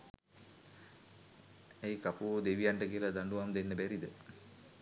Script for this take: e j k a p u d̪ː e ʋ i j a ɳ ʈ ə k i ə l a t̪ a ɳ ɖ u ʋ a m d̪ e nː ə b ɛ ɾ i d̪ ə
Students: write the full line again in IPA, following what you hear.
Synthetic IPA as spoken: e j k a p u d̪ e ʋ i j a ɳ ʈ ə k i ə l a d̪ a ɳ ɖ u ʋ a m d̪ e nː ə b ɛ ɾ i d̪ ə